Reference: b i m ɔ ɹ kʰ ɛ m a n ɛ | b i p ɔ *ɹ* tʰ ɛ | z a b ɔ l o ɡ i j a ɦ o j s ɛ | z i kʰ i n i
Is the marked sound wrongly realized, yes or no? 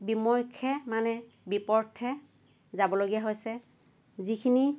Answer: no